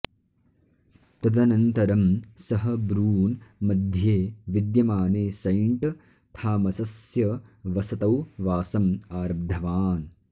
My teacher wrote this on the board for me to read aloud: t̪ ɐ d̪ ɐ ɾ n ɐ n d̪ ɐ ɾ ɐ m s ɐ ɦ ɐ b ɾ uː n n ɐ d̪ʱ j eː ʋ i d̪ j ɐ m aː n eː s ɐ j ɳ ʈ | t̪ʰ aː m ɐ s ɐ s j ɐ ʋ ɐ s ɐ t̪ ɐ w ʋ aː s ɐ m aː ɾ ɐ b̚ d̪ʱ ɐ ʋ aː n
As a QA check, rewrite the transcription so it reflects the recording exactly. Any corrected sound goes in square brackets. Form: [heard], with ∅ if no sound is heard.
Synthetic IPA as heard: t̪ ɐ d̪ ɐ [∅] n ɐ n [t̪] ɐ ɾ ɐ m s ɐ ɦ ɐ b ɾ uː n [m] ɐ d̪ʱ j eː ʋ i d̪ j ɐ m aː n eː s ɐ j ɳ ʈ | t̪ʰ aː m ɐ s ɐ s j ɐ ʋ ɐ s ɐ t̪ ɐ w ʋ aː s ɐ m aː ɾ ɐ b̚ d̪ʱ ɐ ʋ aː n